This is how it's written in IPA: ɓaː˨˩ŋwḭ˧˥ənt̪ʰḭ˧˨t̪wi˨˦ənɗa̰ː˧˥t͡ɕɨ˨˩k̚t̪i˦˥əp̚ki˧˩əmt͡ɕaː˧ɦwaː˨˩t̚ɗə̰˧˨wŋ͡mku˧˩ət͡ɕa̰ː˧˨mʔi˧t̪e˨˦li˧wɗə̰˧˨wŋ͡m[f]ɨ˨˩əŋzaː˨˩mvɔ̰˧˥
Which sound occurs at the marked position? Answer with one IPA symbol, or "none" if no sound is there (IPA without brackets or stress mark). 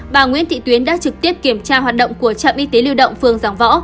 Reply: f